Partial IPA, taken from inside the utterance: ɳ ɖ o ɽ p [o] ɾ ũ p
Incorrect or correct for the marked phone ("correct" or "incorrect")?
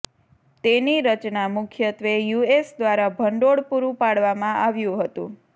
incorrect